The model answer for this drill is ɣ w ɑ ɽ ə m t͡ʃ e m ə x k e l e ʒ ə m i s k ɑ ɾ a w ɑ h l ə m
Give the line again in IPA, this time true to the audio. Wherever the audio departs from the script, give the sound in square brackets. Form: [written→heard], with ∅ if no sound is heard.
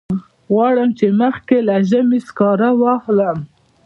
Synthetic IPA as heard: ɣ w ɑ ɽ ə m t͡ʃ e m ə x k e l [e→a] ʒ ə m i s k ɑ ɾ a w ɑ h l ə m